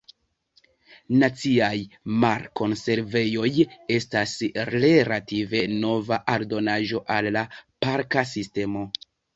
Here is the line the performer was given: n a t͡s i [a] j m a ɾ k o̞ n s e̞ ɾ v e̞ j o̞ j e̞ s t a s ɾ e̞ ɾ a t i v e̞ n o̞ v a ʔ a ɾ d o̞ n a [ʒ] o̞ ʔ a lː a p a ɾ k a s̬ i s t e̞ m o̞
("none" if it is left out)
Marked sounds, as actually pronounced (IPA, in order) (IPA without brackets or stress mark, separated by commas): a, ʒ